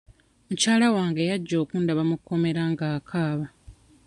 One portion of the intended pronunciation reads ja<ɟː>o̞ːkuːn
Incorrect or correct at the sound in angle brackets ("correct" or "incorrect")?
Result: correct